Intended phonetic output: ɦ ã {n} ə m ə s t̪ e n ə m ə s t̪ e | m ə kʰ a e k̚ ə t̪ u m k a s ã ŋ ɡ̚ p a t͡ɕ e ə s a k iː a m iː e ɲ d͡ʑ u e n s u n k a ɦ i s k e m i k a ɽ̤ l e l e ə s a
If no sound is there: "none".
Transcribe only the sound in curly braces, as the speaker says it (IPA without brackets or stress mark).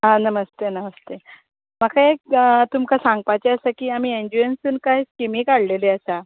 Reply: n